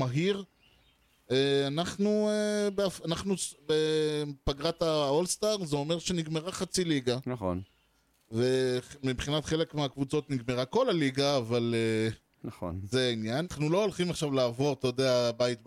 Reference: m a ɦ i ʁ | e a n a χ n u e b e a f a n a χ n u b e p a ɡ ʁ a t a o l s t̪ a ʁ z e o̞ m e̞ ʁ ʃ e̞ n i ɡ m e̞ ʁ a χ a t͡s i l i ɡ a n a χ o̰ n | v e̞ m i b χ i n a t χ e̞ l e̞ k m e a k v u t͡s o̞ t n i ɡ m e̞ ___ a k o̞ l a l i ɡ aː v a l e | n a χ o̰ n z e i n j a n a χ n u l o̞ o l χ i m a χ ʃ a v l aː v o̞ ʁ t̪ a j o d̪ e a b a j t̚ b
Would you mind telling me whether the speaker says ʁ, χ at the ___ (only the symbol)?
ʁ